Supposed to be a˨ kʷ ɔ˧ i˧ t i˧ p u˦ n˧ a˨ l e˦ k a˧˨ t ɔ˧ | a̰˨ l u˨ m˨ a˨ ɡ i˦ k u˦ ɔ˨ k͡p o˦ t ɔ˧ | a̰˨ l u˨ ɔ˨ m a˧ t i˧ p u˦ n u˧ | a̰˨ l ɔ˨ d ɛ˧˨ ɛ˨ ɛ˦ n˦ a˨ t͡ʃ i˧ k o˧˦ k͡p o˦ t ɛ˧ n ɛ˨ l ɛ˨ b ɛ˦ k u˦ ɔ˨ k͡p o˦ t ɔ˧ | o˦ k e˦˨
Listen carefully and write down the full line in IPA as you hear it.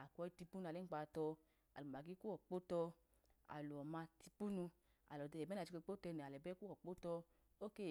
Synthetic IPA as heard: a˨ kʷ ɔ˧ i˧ t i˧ p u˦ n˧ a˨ l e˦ k͡p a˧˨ t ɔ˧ | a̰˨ l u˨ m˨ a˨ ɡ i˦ k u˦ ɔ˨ k͡p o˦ t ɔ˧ | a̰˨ l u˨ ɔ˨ m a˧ t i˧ p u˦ n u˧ | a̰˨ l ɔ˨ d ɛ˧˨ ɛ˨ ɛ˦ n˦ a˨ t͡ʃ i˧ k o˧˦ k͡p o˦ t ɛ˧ n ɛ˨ l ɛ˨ b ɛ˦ k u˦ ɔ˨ k͡p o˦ t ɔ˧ | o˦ k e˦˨